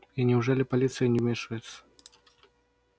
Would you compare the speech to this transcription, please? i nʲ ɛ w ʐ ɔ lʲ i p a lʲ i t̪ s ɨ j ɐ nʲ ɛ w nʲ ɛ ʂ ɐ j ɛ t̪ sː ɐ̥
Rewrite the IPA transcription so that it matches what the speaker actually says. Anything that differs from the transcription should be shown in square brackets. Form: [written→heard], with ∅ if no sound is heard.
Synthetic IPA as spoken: i nʲ ɛ w ʐ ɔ lʲ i p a lʲ i t̪ s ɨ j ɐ nʲ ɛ w [nʲ→mʲ] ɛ ʂ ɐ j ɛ t̪ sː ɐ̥